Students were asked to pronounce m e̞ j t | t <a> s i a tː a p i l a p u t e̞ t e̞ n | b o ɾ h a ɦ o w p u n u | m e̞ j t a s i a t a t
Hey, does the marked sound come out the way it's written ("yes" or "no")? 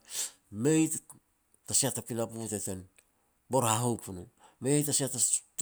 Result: yes